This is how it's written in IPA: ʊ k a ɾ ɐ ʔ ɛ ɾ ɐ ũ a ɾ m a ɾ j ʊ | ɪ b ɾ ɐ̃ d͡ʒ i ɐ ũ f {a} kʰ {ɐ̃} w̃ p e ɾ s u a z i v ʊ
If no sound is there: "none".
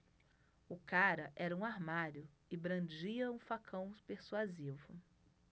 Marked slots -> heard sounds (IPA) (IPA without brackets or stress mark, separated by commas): a, ɐ̃